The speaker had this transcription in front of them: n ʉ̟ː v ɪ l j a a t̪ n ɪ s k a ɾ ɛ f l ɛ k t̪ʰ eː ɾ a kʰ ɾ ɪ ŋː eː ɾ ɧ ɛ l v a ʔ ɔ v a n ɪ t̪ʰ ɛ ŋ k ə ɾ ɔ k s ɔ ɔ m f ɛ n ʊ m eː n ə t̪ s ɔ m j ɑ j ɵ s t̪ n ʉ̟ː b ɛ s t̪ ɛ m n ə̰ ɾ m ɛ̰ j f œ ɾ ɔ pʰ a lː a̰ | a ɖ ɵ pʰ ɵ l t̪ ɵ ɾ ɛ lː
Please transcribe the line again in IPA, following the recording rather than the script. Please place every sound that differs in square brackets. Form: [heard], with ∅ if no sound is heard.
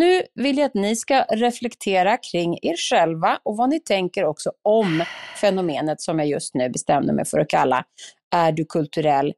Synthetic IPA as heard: n ʉ̟ː v ɪ l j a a t̪ n ɪ s k a ɾ ɛ f l ɛ k t̪ʰ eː ɾ a kʰ ɾ ɪ ŋː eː ɾ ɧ ɛ l v a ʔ ɔ v a n ɪ t̪ʰ ɛ ŋ k ə ɾ ɔ k s ɔ ɔ m f ɛ n ʊ m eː n ə t̪ s ɔ m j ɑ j ɵ s t̪ n ʉ̟ː b ɛ s t̪ ɛ m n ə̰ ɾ m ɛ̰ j f œ ɾ ɔ [kʰ] a lː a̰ | [æ] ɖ ɵ [kʰ] ɵ l t̪ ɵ ɾ ɛ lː